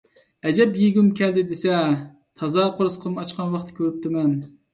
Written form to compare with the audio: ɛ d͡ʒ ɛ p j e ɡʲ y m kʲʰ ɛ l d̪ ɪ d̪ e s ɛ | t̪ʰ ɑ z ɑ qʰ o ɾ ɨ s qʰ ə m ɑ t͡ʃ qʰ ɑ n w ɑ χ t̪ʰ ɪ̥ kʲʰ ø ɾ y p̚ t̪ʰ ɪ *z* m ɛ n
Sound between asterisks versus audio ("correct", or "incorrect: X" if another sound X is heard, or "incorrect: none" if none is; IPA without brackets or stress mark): incorrect: none